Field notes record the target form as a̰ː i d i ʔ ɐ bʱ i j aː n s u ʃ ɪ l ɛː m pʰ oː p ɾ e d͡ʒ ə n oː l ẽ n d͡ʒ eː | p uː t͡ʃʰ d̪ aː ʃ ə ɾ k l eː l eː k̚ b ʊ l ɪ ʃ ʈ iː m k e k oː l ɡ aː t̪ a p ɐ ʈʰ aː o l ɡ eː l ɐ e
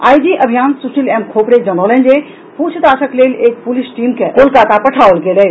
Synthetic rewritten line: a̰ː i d i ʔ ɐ bʱ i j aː n s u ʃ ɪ l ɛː m kʰ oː p ɾ e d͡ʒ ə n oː l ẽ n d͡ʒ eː | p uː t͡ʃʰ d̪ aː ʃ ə k l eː l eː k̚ p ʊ l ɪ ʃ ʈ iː m k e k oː l k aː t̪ a p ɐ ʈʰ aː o l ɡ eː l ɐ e